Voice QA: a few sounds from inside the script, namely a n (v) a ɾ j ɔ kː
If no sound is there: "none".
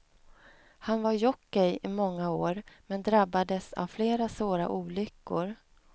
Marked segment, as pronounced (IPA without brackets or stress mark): v